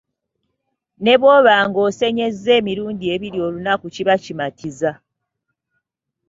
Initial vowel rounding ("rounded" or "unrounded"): unrounded